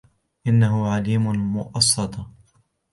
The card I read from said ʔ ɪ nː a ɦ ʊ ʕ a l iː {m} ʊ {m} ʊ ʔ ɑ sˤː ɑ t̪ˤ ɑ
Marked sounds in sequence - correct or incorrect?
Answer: correct, correct

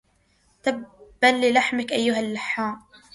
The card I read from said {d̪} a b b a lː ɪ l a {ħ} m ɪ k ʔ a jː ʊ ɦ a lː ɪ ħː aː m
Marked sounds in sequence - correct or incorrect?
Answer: incorrect: t̪, correct

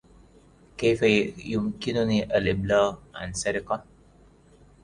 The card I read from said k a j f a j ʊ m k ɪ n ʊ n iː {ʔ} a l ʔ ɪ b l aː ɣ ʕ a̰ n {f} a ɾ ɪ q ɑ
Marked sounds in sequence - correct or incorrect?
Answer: correct, incorrect: s

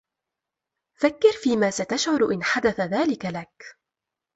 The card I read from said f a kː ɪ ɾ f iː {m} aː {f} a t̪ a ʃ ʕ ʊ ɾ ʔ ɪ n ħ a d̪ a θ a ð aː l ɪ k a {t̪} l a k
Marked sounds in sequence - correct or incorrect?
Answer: correct, incorrect: s, incorrect: none

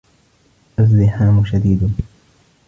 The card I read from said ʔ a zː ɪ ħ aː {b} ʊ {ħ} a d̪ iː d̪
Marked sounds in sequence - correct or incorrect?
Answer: incorrect: m, incorrect: ʃ

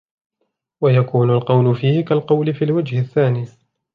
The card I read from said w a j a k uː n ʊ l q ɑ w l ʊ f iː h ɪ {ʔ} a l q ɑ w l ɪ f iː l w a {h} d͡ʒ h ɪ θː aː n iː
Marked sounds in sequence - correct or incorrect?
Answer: incorrect: k, incorrect: none

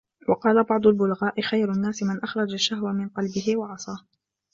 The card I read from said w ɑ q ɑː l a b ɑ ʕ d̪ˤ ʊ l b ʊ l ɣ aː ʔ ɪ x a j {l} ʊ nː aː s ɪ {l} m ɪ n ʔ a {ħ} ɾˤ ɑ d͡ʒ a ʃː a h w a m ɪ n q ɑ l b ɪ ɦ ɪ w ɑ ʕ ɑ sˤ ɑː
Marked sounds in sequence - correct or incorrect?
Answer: incorrect: ɾ, incorrect: none, incorrect: x

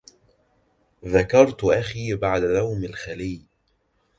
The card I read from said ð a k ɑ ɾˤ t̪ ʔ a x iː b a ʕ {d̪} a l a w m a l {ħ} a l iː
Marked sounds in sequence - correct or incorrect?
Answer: correct, incorrect: x

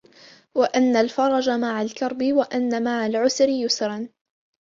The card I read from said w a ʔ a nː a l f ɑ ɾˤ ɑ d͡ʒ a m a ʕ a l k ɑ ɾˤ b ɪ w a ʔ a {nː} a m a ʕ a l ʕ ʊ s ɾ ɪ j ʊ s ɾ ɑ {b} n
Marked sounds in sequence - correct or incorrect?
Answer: correct, incorrect: none

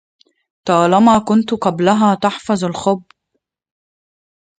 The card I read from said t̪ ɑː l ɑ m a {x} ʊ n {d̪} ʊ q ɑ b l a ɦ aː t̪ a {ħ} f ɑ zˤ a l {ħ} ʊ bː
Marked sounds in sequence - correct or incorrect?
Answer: incorrect: k, incorrect: t̪, correct, incorrect: x

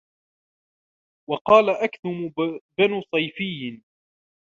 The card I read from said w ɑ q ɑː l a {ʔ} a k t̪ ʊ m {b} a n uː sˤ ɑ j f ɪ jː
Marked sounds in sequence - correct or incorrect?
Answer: correct, correct

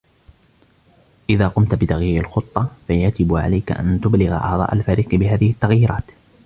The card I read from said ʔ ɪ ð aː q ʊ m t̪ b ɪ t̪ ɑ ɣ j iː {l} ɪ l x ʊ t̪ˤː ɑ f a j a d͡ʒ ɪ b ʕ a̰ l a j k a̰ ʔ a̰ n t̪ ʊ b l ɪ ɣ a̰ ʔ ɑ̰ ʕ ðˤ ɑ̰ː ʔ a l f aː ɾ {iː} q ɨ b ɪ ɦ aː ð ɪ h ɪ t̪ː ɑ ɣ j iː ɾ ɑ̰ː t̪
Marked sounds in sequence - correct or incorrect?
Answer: incorrect: ɾ, correct

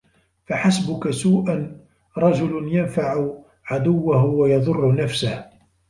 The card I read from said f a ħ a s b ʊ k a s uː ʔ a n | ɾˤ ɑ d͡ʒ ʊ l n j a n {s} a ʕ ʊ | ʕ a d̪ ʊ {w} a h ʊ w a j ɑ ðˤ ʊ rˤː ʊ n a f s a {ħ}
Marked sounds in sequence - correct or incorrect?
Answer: incorrect: f, incorrect: wː, incorrect: h

